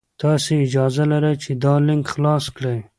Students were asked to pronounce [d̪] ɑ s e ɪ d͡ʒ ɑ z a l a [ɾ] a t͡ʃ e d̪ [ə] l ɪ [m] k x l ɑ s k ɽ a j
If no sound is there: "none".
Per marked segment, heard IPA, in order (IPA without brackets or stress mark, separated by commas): t̪, ɾ, ɑ, ŋ